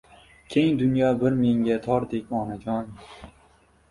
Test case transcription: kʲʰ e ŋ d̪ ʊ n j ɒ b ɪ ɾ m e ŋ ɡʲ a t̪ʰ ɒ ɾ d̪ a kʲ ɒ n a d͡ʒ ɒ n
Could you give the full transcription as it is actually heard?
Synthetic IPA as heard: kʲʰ e ŋ d̪ ʊ n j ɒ b ɪ ɾ m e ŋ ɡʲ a t̪ʰ ɒ ɾ d̪ e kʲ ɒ n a d͡ʒ ɒ n